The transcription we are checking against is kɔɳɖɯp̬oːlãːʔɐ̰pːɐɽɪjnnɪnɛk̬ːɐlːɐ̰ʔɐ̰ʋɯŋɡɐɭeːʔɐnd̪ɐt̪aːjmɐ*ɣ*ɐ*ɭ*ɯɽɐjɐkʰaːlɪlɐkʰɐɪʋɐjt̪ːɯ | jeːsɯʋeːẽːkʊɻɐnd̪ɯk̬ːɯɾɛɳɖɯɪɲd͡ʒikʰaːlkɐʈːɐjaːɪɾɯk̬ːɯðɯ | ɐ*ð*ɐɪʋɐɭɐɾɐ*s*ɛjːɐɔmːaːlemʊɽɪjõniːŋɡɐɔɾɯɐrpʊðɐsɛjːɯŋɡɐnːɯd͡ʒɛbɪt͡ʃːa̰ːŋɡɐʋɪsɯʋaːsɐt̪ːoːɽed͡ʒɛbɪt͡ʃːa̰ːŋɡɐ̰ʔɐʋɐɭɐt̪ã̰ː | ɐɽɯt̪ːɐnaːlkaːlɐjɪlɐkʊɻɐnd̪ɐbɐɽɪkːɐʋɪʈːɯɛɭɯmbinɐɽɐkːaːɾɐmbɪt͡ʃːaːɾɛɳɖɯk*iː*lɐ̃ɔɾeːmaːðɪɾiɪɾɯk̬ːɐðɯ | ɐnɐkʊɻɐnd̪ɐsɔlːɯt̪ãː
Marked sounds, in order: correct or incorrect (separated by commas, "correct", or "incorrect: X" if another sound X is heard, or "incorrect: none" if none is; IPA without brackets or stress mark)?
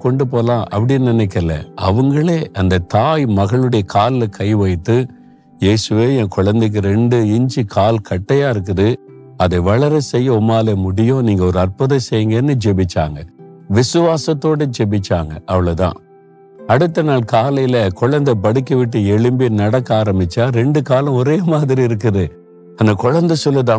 correct, correct, correct, correct, incorrect: aː